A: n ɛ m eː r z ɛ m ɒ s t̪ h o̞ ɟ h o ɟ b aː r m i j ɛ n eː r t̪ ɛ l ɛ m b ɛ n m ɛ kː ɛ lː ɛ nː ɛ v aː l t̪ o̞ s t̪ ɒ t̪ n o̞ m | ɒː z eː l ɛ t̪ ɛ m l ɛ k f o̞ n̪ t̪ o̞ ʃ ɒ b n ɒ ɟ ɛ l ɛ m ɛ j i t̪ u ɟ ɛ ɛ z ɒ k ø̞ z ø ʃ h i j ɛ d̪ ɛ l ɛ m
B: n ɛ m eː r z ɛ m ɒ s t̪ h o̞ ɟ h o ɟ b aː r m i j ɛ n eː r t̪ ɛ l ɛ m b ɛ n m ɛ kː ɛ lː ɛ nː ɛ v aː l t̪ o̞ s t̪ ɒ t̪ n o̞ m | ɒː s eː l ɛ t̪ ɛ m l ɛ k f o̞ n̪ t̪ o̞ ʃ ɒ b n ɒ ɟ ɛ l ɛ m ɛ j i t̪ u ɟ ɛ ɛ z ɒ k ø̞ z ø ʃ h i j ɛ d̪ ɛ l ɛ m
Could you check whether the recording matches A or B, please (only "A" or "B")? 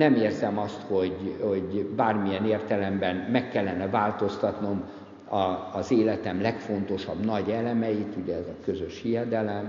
A